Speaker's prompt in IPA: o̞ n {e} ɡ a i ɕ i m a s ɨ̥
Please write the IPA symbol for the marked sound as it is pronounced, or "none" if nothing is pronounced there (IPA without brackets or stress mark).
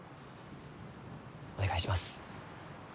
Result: e